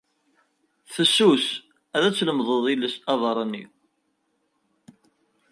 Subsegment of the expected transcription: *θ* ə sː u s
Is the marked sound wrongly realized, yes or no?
no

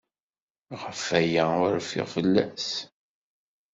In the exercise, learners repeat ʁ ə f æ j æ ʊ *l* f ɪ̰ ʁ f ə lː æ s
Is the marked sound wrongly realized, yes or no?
yes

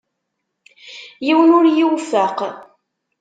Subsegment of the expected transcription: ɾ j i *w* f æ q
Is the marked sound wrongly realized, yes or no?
no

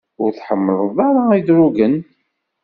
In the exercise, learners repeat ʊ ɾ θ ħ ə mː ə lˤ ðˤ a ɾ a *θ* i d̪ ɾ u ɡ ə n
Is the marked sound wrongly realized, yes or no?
yes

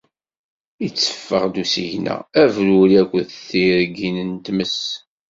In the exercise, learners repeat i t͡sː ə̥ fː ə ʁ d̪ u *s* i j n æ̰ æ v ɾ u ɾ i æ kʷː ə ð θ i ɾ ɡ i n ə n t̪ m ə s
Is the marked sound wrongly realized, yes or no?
no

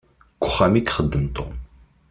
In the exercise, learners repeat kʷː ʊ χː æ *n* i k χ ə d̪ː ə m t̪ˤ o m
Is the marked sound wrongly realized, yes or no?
yes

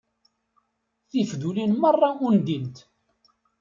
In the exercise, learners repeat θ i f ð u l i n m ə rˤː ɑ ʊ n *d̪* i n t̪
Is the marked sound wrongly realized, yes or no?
no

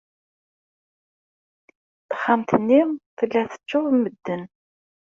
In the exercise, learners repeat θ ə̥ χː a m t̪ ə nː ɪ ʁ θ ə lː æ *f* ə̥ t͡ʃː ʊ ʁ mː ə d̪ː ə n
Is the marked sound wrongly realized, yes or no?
yes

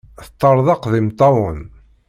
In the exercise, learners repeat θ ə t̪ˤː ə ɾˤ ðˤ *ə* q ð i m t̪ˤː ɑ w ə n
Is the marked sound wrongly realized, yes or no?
yes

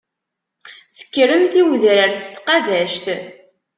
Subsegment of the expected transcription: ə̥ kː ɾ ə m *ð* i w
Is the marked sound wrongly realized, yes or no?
yes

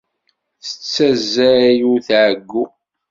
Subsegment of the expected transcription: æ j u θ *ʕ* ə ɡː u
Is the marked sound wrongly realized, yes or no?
no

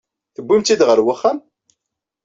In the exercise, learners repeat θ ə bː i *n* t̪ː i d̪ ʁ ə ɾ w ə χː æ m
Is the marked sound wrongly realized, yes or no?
yes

